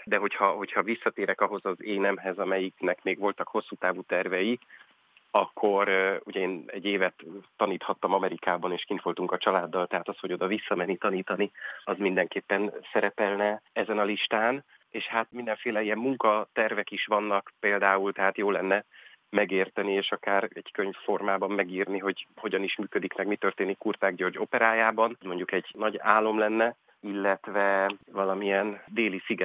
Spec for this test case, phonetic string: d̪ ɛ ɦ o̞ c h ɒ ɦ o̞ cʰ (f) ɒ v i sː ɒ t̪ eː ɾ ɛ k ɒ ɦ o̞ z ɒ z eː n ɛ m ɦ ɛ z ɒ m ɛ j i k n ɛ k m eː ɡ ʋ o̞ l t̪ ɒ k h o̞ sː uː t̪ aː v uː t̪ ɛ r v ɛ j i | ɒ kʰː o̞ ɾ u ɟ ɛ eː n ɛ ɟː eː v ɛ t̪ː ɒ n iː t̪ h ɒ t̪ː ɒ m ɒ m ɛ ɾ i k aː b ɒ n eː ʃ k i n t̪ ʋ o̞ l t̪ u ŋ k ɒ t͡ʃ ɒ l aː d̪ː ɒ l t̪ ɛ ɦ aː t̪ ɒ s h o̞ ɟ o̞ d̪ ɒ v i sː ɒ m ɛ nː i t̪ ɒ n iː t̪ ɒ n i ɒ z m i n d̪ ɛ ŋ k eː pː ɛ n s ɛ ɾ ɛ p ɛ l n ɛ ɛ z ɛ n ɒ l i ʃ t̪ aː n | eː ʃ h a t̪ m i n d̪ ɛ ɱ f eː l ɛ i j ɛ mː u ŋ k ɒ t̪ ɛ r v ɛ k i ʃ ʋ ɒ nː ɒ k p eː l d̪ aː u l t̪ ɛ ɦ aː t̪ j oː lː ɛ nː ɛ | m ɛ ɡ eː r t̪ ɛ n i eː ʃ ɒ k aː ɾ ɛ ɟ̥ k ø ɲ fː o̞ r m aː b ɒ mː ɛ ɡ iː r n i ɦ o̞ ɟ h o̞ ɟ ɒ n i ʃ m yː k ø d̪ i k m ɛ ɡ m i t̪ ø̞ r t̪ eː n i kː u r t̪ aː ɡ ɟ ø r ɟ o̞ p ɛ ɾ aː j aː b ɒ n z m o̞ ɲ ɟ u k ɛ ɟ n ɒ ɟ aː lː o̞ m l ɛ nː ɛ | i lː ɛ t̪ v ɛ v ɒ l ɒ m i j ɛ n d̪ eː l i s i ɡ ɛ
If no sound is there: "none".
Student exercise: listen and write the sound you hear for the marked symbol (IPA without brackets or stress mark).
h